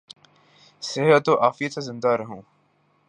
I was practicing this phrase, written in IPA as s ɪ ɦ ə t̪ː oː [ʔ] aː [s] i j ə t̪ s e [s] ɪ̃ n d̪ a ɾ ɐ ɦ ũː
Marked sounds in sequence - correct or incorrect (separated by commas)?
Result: correct, incorrect, incorrect